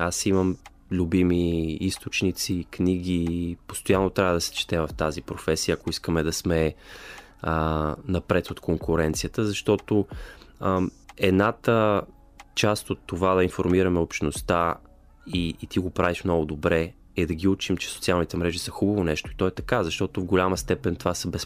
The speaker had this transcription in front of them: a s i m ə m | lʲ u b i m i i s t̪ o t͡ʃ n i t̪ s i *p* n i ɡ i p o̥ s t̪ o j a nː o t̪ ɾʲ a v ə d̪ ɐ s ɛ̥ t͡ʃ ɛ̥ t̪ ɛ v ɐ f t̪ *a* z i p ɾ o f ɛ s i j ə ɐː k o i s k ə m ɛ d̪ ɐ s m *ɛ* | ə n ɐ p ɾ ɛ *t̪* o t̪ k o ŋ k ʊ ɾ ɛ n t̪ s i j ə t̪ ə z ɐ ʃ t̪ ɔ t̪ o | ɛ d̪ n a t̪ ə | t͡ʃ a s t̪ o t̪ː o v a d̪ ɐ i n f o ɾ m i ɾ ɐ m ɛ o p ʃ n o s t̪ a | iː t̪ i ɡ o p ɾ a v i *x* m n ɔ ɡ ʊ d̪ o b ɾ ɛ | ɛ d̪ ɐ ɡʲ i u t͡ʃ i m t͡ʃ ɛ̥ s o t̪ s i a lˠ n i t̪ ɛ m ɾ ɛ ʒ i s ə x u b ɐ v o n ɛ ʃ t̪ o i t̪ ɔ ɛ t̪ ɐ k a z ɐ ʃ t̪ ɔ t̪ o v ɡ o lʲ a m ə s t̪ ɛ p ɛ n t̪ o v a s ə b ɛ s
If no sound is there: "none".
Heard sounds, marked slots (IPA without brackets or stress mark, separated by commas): k, a, ɛ, t̪, ʃ